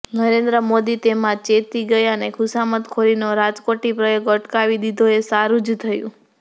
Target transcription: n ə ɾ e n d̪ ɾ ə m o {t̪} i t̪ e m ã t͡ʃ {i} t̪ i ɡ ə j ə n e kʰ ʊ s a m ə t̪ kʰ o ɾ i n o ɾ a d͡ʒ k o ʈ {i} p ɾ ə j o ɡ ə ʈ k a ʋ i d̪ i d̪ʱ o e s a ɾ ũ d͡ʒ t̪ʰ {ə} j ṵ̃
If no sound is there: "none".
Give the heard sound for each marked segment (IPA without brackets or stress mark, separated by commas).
d̪, e, i, ə